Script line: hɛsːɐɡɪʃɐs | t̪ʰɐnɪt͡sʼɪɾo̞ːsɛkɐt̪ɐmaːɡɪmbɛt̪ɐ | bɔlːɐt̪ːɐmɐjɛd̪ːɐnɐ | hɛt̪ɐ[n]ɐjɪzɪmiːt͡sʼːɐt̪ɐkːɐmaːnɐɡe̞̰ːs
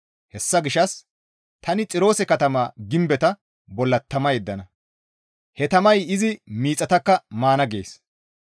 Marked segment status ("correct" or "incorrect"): incorrect